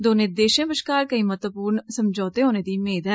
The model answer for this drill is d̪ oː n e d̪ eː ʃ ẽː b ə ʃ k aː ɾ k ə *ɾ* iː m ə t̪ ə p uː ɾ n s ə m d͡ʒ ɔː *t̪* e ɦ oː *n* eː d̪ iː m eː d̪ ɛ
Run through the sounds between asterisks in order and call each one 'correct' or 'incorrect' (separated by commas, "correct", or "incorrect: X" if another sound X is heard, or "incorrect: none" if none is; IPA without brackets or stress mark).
incorrect: none, correct, correct